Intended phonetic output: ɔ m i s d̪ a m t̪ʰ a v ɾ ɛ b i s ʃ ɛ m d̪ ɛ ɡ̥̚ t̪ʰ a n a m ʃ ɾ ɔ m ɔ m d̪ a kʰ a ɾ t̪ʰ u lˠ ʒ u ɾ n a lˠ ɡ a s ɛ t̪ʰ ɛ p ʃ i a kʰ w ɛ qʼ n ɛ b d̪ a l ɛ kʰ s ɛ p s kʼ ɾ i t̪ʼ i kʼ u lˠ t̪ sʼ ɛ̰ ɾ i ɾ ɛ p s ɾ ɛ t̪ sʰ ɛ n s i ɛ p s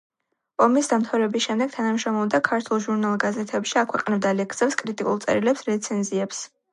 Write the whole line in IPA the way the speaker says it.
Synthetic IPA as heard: ɔ m i s d̪ a m t̪ʰ a v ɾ ɛ b i s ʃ ɛ m d̪ ɛ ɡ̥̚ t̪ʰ a n a m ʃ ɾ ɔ m ɔ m d̪ a kʰ a ɾ t̪ʰ u lˠ ʒ u ɾ n a lˠ ɡ a z ɛ t̪ʰ ɛ p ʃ i a kʰ w ɛ qʼ n ɛ b d̪ a l ɛ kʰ s ɛ p s kʼ ɾ i t̪ʼ i kʼ u lˠ t̪ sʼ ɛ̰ ɾ i l ɛ p s ɾ ɛ t̪ sʰ ɛ n z i ɛ p s